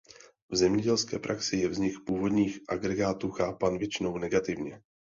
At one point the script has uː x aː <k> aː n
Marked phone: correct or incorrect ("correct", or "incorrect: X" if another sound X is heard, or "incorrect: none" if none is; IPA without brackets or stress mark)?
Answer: incorrect: p